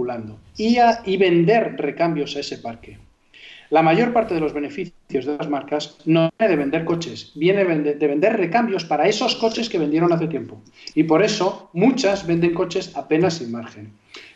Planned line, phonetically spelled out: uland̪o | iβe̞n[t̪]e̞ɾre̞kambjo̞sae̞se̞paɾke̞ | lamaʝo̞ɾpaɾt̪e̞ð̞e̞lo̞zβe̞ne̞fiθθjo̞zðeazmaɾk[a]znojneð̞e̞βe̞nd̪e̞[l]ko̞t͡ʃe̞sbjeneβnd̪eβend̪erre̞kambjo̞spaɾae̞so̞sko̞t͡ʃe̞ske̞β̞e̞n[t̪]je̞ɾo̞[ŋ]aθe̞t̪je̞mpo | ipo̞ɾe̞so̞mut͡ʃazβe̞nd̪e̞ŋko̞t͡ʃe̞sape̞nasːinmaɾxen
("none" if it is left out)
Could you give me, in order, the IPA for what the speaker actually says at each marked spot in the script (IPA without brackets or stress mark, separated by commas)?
d̪, a, ɾ, d̪, n